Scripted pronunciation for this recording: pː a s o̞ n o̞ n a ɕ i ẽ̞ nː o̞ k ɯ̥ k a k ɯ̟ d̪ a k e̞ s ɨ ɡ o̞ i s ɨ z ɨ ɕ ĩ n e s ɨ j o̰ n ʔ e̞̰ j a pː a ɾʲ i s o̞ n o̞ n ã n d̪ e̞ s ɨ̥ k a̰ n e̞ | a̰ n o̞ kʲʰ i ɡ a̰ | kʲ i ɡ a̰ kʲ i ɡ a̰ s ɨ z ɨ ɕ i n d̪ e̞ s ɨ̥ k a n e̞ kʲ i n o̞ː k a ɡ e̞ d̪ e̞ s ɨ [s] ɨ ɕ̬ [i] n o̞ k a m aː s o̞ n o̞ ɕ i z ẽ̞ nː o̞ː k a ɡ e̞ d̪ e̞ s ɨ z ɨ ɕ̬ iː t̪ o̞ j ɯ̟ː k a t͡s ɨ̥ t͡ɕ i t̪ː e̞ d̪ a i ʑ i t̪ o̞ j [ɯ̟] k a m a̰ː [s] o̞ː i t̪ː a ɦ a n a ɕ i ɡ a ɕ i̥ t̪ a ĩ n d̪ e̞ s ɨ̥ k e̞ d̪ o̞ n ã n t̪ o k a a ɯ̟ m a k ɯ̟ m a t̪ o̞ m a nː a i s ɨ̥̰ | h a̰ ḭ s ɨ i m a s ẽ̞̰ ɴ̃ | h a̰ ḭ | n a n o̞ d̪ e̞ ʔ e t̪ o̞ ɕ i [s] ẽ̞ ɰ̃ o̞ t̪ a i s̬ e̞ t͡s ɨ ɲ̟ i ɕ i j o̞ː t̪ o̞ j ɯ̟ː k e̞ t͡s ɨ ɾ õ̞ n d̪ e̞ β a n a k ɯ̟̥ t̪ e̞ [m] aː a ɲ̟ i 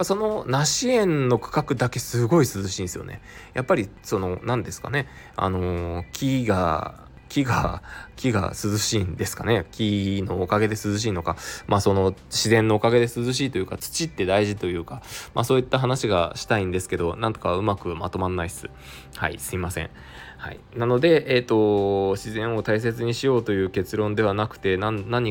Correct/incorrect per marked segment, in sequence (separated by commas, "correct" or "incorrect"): incorrect, incorrect, incorrect, correct, incorrect, incorrect